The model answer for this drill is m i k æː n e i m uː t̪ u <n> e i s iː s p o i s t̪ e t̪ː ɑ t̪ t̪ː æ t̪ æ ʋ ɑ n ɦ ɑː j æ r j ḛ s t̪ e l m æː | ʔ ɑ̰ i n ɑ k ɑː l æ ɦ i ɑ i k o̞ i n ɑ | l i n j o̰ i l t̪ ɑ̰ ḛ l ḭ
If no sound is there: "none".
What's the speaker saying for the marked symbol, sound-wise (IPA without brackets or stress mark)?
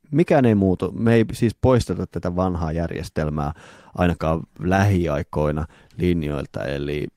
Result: m